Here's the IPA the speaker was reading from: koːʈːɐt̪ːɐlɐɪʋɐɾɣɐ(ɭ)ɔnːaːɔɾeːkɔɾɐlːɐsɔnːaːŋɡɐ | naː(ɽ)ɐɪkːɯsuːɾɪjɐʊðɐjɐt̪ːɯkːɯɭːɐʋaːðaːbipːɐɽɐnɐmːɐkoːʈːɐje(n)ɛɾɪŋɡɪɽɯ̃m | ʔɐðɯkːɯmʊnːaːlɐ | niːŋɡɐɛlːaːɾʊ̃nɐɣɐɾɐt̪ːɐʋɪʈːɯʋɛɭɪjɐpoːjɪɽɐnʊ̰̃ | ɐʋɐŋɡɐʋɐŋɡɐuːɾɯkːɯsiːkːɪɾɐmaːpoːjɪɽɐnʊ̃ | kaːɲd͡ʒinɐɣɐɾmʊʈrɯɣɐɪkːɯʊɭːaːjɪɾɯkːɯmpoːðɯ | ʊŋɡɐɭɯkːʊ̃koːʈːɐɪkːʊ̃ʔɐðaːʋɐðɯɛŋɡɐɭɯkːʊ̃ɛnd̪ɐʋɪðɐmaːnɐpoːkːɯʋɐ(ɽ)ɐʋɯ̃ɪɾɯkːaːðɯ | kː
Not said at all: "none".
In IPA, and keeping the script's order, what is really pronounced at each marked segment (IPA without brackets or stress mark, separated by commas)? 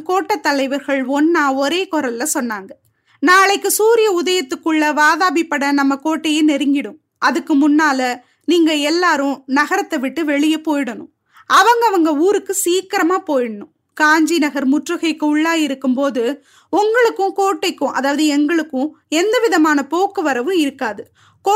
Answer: ɭ, ɭ, n, ɾ